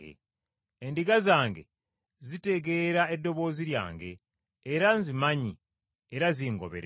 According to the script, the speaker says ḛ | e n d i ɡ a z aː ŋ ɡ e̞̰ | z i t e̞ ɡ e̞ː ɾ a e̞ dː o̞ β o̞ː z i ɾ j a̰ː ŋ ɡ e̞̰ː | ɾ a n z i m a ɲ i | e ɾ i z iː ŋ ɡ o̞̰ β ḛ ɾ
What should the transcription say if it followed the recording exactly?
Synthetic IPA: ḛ | e n d i ɡ a z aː ŋ ɡ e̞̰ | z i t e̞ ɡ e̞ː ɾ a e̞ dː o̞ β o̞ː z i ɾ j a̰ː ŋ ɡ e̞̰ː | ɾ a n z i m a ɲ i | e ɾ a z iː ŋ ɡ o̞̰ β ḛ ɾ